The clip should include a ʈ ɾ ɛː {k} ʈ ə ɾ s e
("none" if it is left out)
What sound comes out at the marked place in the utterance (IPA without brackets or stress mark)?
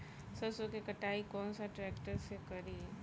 k